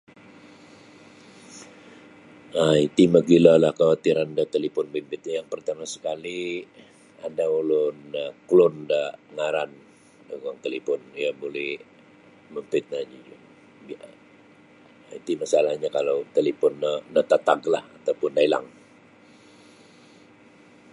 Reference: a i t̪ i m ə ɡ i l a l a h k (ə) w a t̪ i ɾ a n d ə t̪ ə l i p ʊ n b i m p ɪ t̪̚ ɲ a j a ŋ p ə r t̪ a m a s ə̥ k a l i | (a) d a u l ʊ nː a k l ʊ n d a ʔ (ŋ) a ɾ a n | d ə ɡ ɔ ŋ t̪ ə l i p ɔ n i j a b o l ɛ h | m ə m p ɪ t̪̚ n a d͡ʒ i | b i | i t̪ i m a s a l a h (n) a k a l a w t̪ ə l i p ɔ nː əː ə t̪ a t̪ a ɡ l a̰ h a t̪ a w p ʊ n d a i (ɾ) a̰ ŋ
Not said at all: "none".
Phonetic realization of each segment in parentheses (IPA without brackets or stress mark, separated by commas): a, a, ŋ, ɲ, l